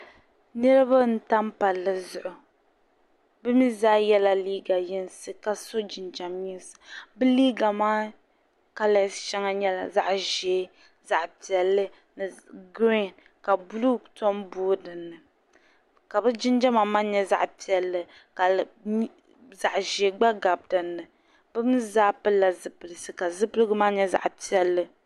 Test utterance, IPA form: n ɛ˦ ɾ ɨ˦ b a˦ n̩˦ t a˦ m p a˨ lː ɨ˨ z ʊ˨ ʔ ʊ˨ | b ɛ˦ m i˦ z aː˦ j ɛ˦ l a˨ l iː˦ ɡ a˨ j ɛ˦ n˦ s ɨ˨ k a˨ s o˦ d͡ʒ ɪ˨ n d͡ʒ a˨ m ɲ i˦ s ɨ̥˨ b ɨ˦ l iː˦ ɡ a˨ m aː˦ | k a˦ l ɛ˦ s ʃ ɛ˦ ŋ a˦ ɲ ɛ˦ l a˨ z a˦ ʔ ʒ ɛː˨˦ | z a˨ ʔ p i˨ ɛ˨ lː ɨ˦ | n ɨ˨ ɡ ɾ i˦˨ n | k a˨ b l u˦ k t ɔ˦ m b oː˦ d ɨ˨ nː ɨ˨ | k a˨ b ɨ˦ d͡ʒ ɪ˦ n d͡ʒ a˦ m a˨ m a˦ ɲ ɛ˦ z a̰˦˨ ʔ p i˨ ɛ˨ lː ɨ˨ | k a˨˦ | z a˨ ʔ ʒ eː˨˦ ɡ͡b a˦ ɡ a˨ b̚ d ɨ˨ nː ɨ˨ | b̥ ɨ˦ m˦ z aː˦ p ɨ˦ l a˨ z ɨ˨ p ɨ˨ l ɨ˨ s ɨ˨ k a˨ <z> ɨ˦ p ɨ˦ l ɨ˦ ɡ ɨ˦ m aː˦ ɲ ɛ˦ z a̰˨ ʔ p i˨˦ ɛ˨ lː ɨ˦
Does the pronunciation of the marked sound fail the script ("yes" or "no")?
no